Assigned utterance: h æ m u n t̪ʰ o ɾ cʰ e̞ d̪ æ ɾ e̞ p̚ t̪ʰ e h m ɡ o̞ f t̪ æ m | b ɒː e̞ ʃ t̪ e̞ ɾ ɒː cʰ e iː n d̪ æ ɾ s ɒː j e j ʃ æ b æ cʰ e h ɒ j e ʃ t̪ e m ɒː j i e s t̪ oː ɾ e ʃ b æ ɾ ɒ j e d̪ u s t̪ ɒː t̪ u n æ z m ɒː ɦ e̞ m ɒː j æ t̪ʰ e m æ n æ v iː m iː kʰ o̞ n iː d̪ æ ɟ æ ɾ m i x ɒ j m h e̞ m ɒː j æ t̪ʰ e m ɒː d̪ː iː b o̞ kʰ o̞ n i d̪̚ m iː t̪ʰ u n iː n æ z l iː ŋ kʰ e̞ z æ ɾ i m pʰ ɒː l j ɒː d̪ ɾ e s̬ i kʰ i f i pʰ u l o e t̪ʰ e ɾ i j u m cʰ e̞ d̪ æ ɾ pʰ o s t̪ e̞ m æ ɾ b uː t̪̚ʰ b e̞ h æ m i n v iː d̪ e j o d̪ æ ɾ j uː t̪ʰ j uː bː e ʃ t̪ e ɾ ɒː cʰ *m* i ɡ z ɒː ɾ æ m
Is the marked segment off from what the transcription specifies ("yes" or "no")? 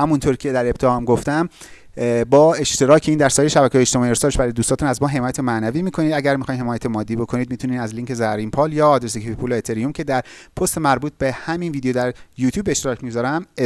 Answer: no